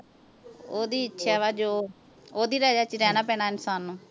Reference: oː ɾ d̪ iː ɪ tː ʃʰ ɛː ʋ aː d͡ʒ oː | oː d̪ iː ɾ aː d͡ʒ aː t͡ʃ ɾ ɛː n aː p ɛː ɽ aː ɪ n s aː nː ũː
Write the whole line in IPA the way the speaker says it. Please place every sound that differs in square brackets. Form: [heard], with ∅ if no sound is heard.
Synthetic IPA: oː [∅] d̪ iː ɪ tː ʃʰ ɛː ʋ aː d͡ʒ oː | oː d̪ iː ɾ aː d͡ʒ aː t͡ʃ ɾ ɛː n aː p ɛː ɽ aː ɪ n s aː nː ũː